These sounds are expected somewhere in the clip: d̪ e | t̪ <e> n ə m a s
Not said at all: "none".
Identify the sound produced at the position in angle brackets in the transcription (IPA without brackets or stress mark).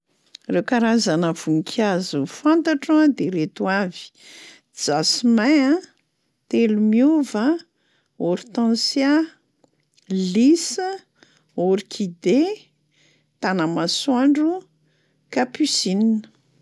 a